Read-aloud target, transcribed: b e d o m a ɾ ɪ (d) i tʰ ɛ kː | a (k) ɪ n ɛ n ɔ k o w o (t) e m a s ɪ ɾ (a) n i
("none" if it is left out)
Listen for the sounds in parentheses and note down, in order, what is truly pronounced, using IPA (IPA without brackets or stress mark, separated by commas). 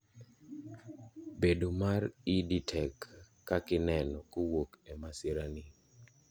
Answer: d, k, k, a